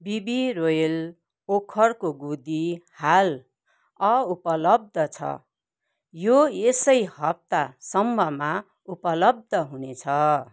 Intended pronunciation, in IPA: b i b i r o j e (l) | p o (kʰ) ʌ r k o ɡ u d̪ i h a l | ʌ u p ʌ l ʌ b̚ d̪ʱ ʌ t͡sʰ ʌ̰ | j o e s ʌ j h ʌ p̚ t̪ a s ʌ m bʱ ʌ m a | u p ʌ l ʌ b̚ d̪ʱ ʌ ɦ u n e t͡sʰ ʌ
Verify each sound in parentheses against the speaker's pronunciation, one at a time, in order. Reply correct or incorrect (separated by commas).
correct, correct